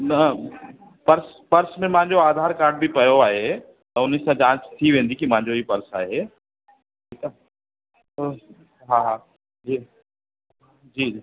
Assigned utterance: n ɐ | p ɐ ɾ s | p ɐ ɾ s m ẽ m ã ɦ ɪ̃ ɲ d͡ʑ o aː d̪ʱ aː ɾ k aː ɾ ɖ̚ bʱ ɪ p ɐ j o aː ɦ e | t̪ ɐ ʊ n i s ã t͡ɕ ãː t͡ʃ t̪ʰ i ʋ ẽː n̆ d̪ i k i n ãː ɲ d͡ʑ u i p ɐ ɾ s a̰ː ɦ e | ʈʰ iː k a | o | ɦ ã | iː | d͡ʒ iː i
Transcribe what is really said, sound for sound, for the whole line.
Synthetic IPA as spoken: n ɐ | p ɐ ɾ s | p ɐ ɾ s m ẽ m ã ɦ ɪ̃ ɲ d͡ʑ o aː d̪ʱ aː ɾ k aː ɾ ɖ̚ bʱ i p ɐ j o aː ɦ e | t̪ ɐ ʊ n i s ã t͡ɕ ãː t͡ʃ t̪ʰ i ʋ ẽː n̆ d̪ i k i m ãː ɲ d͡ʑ o i p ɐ ɾ s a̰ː ɦ e | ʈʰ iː k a | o | ɦ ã | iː | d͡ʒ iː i